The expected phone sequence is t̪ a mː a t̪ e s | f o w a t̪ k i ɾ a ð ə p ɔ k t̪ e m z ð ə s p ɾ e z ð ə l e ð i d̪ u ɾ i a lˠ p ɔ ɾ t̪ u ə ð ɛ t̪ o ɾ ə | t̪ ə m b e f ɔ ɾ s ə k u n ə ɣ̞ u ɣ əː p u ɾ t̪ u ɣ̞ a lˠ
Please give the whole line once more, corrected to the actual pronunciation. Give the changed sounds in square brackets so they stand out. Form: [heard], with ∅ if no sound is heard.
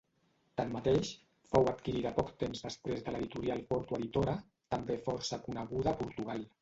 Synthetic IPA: t̪ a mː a t̪ e [ʃ] | f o w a t̪ k i ɾ [i] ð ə p ɔ k t̪ e m z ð ə s p ɾ e z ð ə l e ð i [t̪] u ɾ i a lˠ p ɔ ɾ t̪ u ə ð [i] t̪ o ɾ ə | t̪ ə m b e f ɔ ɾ s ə k u n ə ɣ̞ u [ð] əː p u ɾ t̪ u ɣ̞ a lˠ